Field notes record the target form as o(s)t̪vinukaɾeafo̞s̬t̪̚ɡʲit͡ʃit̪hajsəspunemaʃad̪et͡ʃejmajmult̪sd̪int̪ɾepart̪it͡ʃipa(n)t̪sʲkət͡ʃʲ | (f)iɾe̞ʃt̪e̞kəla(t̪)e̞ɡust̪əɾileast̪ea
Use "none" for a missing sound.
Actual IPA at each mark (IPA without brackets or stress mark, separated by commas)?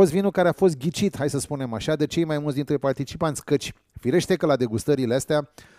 s, n, f, d̪